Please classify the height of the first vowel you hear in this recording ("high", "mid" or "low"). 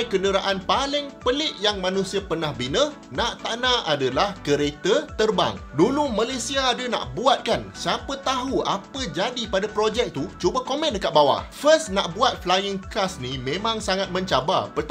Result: mid